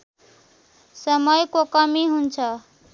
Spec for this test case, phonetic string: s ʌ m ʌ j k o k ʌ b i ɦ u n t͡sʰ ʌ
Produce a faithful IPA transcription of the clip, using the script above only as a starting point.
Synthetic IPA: s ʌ m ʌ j k o k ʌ m i ɦ u n t͡sʰ ʌ